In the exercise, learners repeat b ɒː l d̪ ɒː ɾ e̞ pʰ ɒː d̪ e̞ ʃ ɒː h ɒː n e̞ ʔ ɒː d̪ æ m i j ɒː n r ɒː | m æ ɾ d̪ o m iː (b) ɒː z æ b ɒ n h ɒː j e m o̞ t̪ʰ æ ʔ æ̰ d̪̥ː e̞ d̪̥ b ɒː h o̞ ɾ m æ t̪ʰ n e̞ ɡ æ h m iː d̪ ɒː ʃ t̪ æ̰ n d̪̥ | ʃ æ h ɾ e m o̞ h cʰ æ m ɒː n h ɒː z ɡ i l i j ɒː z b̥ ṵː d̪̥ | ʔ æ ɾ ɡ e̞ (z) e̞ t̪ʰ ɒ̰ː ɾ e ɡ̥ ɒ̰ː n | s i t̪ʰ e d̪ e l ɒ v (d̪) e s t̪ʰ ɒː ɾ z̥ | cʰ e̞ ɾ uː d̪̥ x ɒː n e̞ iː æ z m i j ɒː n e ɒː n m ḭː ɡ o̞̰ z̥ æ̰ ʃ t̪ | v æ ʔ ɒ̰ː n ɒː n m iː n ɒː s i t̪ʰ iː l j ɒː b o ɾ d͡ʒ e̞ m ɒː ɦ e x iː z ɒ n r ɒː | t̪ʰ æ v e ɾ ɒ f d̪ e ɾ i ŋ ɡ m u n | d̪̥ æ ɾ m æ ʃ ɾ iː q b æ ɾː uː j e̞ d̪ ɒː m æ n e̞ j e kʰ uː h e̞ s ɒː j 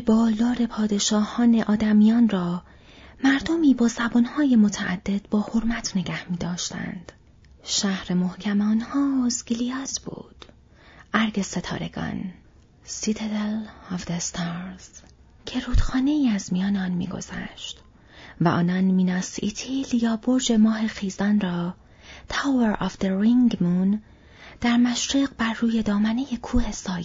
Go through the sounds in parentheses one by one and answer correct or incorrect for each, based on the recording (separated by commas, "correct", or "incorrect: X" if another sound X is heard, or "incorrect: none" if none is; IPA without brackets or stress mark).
correct, incorrect: s, correct